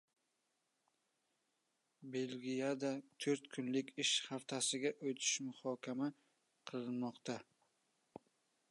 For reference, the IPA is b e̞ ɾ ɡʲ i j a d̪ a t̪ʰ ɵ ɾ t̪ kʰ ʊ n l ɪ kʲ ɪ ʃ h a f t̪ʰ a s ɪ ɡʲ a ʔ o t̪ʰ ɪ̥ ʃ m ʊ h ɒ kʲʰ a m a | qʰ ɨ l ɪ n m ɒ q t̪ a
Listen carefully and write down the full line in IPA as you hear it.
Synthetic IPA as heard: b e̞ l ɡʲ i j a d̪ a t̪ʰ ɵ ɾ t̪ kʰ ʊ n l ɪ kʲ ɪ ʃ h a f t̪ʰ a s ɪ ɡʲ a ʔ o t̪ʰ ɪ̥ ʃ m ʊ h ɒ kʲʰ a m a | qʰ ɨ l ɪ n m ɒ q t̪ a